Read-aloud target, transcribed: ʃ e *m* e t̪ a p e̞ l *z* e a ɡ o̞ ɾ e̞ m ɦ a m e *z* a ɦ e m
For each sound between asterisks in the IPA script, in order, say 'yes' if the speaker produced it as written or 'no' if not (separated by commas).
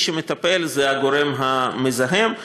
yes, yes, yes